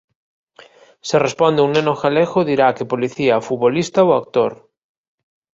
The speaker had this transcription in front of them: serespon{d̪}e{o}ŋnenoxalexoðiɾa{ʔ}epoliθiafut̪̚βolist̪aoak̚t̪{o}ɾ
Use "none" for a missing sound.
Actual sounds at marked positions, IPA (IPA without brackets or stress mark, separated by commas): d̪, u, k, o